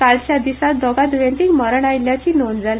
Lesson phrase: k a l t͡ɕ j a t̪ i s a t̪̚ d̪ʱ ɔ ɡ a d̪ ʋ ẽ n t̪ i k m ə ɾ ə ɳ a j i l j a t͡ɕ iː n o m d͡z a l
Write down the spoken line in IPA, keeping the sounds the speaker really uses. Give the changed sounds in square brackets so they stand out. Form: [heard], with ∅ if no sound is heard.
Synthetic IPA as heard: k a l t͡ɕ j a [d̪] i s a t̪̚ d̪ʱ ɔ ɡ a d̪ ʋ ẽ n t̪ i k m ə ɾ ə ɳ a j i l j a t͡ɕ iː n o [n] d͡z a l